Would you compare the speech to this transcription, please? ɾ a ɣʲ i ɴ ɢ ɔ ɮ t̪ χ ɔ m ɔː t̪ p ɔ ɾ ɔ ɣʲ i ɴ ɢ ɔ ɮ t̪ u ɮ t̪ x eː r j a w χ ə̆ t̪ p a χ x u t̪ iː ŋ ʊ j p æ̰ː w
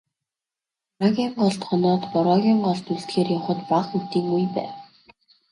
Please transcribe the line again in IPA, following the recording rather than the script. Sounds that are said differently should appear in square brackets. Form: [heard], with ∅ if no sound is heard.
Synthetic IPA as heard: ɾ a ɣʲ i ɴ ɢ ɔ ɮ t̪ χ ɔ [n] ɔː t̪ p ɔ ɾ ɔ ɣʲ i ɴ ɢ ɔ ɮ t̪ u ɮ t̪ x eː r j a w χ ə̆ t̪ p a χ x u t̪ iː ŋ [u] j p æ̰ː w